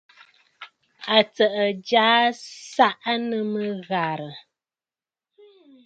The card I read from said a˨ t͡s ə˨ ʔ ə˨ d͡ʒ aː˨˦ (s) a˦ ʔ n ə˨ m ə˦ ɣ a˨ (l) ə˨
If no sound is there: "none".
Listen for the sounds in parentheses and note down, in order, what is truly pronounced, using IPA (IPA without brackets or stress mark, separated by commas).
s, ɾ